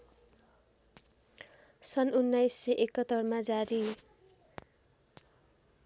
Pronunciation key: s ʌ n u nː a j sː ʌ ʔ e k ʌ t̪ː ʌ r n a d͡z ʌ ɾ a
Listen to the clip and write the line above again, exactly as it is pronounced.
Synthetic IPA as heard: s ʌ n u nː a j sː ʌ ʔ e k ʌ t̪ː ʌ r m a d͡z a ɾ i

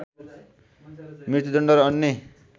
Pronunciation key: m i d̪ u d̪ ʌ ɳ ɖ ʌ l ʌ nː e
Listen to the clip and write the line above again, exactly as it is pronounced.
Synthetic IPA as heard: m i t̪ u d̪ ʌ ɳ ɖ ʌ ɾ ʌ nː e

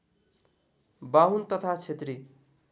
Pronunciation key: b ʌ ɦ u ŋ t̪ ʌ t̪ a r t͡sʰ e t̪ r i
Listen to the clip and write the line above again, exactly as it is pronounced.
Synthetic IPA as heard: b a ɦ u n t̪ ʌ t̪ʰ a t͡sʰ e t̪ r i

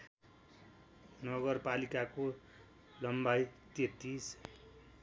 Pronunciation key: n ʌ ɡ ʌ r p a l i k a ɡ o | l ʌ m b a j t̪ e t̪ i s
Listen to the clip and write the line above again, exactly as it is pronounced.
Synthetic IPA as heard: n ʌ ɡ ʌ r p a l i k a k o | l ʌ m b a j t̪ e t̪ i s

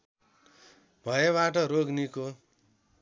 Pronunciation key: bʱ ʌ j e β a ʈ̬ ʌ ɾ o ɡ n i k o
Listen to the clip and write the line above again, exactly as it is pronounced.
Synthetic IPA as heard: bʱ ʌ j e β a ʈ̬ ʌ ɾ o ɡ n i k o

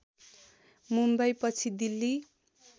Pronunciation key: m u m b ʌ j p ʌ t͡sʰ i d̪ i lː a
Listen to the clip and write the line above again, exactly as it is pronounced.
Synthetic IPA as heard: m u m b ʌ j p ʌ t͡sʰ i d̪ i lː i

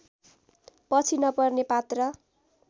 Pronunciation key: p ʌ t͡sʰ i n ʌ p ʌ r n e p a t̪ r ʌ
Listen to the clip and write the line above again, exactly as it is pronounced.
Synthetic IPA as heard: p ʌ t͡sʰ i n ʌ p ʌ r n e p a t̪ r ʌ

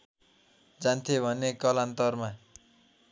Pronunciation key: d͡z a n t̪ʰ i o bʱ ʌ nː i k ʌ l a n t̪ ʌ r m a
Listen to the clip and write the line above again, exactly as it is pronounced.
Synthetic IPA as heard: d͡z a n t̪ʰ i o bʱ ʌ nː e k ʌ l a n t̪ ʌ r m a

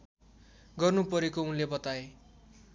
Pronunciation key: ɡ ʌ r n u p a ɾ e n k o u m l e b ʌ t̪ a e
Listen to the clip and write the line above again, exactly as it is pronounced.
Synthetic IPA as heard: ɡ ʌ r n u p ʌ ɾ e k o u n l e b ʌ t̪ a e

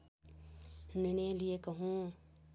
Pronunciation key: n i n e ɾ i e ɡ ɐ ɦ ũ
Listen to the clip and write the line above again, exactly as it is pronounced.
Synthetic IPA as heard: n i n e l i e k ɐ ɦ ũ

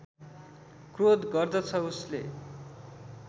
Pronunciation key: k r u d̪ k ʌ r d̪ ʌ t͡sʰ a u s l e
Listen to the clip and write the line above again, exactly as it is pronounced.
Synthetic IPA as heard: k r o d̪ ɡ ʌ r d̪ ʌ t͡sʰ ʌ u s l e

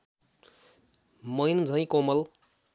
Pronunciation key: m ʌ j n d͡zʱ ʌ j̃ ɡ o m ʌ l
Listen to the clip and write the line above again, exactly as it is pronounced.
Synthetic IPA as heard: m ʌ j n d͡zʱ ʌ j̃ k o m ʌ l

